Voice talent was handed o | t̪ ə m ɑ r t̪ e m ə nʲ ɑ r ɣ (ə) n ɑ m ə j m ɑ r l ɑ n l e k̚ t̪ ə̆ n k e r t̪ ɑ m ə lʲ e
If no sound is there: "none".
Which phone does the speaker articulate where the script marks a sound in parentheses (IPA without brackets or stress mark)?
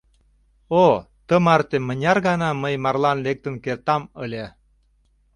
ɑ